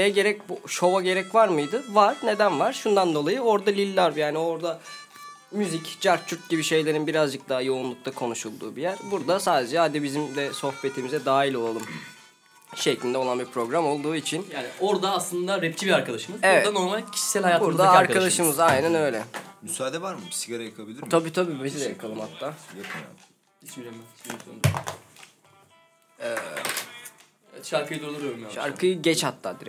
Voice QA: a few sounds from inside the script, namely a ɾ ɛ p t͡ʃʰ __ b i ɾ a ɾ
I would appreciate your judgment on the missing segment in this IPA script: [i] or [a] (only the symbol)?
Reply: i